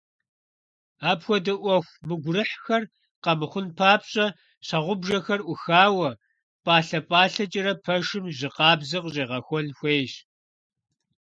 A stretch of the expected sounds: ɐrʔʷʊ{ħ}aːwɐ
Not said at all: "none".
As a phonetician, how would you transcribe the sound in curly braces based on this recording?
x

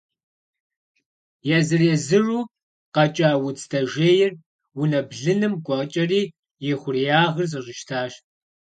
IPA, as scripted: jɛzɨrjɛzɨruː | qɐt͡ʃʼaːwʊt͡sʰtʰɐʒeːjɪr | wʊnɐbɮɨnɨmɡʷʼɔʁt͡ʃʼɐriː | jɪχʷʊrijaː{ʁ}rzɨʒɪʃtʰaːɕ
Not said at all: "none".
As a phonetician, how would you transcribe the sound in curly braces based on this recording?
ʁ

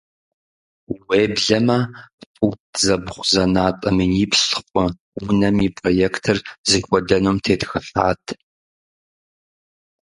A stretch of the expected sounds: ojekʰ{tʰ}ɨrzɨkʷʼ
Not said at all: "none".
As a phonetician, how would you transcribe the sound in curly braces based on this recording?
tʰ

